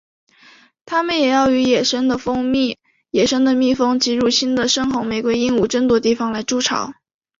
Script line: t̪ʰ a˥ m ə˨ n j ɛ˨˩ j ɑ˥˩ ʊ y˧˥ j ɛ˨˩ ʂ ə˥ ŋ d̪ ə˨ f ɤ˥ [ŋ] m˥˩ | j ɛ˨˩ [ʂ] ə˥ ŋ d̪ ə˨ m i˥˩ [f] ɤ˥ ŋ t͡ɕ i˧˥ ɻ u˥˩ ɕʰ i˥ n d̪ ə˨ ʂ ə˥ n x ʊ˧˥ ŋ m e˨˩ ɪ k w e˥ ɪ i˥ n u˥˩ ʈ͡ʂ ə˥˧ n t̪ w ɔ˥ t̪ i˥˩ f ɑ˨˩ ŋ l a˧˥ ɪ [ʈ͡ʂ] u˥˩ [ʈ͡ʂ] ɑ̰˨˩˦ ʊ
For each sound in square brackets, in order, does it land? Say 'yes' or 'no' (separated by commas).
yes, yes, yes, yes, no